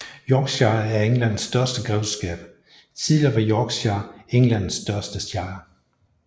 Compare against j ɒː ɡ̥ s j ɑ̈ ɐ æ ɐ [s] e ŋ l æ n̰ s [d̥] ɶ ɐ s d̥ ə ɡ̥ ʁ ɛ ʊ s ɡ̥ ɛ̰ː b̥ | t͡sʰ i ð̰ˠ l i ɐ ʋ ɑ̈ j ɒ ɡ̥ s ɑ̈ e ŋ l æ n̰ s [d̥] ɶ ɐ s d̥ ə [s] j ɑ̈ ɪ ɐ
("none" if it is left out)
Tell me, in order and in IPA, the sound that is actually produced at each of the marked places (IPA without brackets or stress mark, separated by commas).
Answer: none, d̥, d̥, s